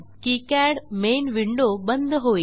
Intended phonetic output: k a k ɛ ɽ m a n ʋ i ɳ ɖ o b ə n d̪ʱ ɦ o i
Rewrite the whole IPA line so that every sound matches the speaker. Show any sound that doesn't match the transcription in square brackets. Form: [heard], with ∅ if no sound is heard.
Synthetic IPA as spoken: k [i] k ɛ ɽ m [e] n ʋ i ɳ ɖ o b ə n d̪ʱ ɦ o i